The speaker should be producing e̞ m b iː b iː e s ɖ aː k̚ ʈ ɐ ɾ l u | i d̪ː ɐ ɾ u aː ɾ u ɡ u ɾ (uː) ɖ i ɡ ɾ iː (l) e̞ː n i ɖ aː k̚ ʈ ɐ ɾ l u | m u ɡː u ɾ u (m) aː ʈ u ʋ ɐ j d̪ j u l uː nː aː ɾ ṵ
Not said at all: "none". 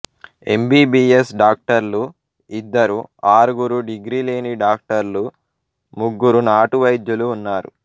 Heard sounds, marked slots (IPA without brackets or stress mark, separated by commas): u, l, n